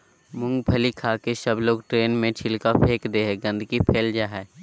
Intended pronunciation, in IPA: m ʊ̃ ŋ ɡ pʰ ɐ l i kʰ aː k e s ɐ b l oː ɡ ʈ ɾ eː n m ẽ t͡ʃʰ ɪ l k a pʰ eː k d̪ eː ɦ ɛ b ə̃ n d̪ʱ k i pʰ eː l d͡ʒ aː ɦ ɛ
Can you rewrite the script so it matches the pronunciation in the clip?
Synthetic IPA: m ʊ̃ ŋ ɡ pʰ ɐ l i kʰ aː k e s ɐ b l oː ɡ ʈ ɾ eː n m ẽ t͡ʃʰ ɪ l k a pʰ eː k d̪ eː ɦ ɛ ɡ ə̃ n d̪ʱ k i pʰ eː l d͡ʒ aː ɦ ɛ